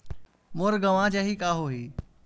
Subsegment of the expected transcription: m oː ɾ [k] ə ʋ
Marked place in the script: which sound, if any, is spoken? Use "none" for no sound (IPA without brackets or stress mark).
ɡ